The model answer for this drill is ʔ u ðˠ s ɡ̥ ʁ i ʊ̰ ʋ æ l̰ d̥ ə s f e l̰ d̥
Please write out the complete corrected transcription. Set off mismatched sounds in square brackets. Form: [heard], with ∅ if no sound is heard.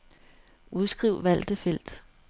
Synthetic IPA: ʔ u ðˠ s ɡ̥ ʁ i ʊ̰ ʋ æ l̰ d̥ ə [∅] f e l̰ d̥